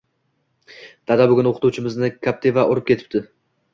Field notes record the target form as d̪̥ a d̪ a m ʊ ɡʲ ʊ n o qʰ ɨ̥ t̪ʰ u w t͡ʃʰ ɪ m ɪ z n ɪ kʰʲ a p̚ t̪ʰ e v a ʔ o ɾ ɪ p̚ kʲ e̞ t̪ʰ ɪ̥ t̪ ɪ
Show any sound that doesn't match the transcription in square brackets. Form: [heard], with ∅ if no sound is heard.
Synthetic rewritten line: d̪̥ a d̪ a [b] ʊ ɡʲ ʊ n o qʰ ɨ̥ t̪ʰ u w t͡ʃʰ ɪ m ɪ z n ɪ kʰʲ a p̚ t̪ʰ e v a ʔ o ɾ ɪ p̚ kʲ e̞ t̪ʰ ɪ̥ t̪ ɪ